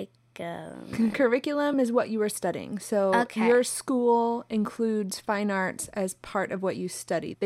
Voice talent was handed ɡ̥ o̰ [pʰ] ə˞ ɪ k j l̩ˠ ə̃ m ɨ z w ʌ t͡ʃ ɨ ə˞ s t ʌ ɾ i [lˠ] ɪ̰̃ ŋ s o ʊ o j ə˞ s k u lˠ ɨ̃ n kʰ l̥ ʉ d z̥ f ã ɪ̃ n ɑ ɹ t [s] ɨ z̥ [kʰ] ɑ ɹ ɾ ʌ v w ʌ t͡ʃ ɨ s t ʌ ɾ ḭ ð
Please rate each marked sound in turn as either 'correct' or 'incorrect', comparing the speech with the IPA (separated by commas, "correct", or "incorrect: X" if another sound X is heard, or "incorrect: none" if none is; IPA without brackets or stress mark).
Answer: incorrect: kʰ, incorrect: none, correct, incorrect: pʰ